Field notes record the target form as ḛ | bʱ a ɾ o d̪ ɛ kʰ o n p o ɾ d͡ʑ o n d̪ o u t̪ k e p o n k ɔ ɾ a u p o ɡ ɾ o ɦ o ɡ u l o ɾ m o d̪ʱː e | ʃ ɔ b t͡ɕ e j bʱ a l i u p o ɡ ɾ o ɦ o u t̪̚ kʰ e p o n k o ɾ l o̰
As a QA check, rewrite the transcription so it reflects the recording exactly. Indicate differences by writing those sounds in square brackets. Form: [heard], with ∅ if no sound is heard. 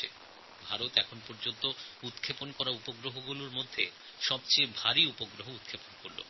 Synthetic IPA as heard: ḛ | bʱ a ɾ o [t̪] ɛ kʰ o n p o ɾ d͡ʑ o n [t̪] o u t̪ [kʰ] e p o n k ɔ ɾ a u p o ɡ ɾ o ɦ o ɡ u l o ɾ m o d̪ʱː e | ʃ ɔ b t͡ɕ e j bʱ a [ɾ] i u p o ɡ ɾ o ɦ o u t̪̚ kʰ e p o n k o ɾ l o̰